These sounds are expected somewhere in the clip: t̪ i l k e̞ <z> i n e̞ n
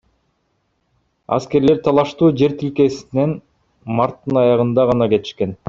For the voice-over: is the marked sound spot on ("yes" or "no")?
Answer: no